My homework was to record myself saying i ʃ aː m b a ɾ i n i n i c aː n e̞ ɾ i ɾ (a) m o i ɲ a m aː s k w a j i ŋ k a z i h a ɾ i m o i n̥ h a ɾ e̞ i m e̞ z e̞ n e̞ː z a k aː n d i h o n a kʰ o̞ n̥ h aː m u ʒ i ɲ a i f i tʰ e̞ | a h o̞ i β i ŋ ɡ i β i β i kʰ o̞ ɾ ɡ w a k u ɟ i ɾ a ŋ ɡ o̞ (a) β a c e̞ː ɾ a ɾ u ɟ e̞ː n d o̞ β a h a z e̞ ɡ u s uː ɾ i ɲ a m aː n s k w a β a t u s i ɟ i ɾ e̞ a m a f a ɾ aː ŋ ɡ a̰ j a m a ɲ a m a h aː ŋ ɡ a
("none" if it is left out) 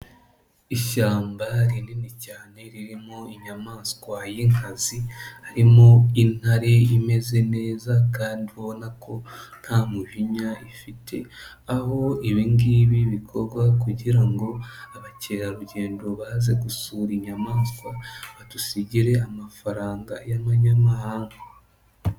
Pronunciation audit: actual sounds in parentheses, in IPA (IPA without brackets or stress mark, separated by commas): i, a